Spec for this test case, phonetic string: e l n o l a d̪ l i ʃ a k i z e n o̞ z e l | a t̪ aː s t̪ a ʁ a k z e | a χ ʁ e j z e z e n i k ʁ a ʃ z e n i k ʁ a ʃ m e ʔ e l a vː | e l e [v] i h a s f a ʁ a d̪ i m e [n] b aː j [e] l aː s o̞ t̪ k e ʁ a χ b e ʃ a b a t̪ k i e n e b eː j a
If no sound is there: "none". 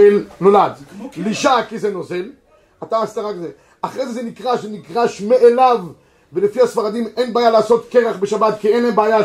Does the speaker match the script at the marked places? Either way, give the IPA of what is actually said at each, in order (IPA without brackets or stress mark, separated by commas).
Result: f, n, a